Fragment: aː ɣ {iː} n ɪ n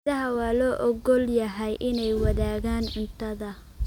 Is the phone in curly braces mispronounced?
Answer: yes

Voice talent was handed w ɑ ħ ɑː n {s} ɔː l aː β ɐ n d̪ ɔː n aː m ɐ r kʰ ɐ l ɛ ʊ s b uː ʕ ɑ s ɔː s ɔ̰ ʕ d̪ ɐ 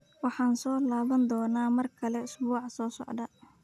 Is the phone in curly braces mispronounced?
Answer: no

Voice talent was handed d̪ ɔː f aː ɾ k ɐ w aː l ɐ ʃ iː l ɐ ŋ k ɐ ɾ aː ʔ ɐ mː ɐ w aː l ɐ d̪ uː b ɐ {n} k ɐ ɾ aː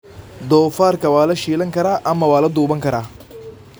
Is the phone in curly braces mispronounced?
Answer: yes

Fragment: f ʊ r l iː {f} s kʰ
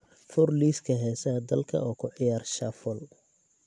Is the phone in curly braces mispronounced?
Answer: yes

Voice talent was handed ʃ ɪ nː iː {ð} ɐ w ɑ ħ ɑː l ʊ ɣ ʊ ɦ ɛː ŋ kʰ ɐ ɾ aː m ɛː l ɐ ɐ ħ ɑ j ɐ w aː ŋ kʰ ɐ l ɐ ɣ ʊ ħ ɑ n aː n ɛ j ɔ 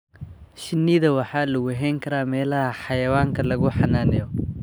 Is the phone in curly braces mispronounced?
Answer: no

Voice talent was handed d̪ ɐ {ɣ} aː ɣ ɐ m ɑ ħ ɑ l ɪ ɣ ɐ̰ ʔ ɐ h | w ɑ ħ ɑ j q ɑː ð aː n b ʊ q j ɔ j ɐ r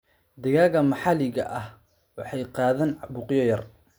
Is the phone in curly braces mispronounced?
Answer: no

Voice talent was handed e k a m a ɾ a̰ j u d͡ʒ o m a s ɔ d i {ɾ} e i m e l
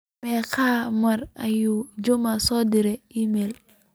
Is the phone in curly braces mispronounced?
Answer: no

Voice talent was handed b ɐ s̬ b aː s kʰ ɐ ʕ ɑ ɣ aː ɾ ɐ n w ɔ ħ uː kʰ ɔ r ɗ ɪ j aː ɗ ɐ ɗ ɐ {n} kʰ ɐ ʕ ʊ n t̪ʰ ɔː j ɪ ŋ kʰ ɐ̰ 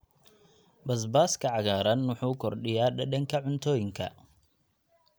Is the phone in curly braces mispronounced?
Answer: yes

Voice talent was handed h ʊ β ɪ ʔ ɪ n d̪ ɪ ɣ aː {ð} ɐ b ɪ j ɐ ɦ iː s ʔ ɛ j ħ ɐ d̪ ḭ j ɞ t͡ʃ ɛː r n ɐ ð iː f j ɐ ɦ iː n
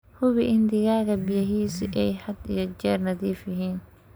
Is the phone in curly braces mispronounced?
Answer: yes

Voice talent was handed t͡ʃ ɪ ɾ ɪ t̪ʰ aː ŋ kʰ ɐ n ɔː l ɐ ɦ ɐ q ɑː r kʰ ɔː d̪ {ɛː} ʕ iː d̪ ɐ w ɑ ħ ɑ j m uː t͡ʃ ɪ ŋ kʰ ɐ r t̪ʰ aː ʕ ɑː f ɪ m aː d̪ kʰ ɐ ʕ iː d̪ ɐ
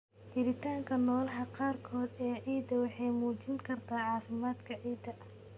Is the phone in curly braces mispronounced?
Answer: no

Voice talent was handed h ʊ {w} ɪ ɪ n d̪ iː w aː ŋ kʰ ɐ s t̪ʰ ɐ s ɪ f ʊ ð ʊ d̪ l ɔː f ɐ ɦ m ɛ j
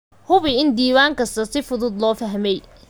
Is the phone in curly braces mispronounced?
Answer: yes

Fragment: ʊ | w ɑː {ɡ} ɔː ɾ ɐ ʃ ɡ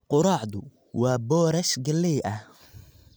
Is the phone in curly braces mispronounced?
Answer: yes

